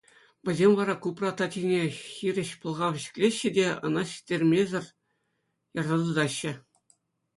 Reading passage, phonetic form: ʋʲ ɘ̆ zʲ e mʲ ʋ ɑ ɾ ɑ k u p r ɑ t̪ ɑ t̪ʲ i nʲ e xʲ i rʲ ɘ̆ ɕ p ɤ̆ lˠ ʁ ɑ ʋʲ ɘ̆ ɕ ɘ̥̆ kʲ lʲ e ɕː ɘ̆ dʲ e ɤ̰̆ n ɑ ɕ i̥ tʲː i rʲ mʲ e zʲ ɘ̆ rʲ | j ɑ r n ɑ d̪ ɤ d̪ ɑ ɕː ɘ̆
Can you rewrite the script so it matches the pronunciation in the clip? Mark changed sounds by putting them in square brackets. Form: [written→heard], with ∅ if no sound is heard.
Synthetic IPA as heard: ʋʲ ɘ̆ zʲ e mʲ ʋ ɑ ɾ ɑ k u p r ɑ t̪ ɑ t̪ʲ i nʲ e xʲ i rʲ ɘ̆ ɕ p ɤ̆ lˠ ʁ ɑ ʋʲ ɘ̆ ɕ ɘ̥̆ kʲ lʲ e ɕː ɘ̆ dʲ e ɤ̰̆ n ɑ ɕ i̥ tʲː [i→e] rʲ mʲ e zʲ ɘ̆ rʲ | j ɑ r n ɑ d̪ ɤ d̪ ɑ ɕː ɘ̆